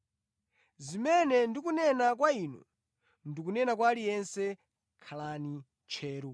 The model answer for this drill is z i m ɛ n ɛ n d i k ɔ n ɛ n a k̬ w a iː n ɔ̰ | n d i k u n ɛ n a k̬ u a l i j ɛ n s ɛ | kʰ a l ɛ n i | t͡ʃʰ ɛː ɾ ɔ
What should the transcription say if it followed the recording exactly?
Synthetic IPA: z i m ɛ n ɛ n d i k u n ɛ n a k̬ w a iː n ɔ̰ | n d i k u n ɛ n a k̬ w a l i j ɛ n s ɛ | kʰ a l a n i | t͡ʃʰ ɛː ɾ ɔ